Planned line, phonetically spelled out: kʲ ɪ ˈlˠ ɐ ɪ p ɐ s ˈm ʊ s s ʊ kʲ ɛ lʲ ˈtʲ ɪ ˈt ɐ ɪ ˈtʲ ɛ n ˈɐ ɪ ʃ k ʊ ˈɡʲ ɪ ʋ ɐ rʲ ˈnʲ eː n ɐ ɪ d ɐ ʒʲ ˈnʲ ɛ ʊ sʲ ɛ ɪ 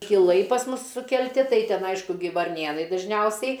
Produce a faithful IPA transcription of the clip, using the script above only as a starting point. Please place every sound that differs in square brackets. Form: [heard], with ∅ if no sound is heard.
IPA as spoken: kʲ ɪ ˈlˠ ɐ ɪ p ɐ s ˈm ʊ s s ʊ kʲ ɛ lʲ ˈtʲ ɪ ˈt ɐ ɪ ˈtʲ ɛ n ˈɐ ɪ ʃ k ʊ ˈɡʲ ɪ ʋ ɐ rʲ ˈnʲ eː n ɐ ɪ d ɐ ʒʲ ˈnʲ ɛ ʊ sʲ ɛ ɪ